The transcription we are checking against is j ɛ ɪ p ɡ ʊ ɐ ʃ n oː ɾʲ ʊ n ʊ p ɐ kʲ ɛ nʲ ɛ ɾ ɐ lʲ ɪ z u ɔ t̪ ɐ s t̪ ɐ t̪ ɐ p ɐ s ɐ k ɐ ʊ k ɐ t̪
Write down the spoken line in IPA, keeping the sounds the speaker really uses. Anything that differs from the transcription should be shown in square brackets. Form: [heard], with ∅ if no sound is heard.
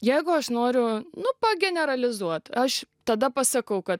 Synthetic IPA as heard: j ɛ ɪ [∅] ɡ ʊ ɐ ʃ n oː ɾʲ ʊ n ʊ p ɐ [ɡʲ] ɛ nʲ ɛ ɾ ɐ lʲ ɪ z u ɔ t̪ ɐ [ʃ] t̪ ɐ [d̪] ɐ p ɐ s ɐ k ɐ ʊ k ɐ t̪